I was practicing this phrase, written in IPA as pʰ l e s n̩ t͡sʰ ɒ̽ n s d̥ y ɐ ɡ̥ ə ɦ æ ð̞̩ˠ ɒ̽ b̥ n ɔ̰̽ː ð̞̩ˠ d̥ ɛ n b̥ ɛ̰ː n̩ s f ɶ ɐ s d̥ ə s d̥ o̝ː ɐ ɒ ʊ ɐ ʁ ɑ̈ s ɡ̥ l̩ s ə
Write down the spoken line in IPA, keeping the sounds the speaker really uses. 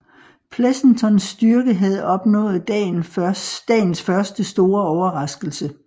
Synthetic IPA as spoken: pʰ l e s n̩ t͡sʰ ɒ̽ n s d̥ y ɐ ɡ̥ ə ɦ æ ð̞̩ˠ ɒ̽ b̥ n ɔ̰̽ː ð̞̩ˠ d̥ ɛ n d̥ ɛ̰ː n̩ s f ɶ ɐ s d̥ ə s d̥ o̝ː ɐ ɒ ʊ ɐ ʁ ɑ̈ s ɡ̥ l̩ s ə